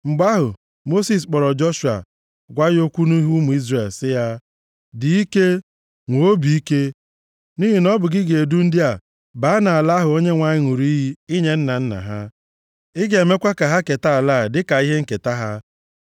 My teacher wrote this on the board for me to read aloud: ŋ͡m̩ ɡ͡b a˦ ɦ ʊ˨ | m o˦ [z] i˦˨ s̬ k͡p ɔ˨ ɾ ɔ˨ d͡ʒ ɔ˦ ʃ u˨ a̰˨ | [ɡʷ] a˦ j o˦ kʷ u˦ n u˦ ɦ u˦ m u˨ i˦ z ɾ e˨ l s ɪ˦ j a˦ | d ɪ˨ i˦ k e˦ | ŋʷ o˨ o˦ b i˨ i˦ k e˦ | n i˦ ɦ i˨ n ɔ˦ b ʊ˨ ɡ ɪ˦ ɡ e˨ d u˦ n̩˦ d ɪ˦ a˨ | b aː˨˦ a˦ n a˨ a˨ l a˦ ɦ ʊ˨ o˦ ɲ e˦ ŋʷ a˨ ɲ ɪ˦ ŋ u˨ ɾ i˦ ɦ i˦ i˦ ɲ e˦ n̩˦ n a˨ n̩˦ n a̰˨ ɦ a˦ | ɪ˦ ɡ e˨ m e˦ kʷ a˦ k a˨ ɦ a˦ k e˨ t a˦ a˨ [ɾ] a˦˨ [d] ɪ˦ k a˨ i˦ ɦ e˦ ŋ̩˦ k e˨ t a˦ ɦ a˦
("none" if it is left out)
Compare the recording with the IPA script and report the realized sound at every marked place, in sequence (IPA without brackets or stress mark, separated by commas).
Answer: s, ɡʷ, l, d